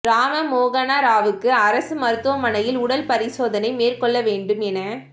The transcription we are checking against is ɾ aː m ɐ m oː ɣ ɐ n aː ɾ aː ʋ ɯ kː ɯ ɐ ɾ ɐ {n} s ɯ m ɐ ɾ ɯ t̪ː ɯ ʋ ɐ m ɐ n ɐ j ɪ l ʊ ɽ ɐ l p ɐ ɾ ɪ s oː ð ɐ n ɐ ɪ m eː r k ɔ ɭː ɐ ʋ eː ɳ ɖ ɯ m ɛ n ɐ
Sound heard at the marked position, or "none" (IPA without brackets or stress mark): none